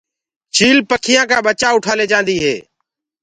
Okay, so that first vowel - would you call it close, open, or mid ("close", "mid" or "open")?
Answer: close